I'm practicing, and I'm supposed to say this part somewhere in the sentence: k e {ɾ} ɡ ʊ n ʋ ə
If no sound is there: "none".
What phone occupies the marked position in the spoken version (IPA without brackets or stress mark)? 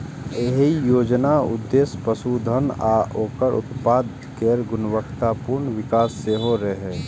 ɾ